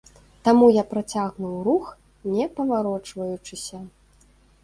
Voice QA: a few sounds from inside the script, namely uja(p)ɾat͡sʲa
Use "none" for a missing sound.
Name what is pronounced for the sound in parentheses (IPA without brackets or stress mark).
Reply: p